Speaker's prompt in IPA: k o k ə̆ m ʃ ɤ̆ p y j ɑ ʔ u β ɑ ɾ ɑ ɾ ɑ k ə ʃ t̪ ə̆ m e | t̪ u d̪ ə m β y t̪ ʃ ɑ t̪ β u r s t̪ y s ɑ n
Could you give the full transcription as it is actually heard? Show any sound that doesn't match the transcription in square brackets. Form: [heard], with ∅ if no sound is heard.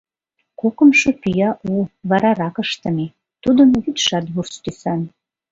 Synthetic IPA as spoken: k o k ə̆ m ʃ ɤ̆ p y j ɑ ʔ u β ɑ ɾ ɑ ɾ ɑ k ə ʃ t̪ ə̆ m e | t̪ u d̪ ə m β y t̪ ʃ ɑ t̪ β u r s t̪ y s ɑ n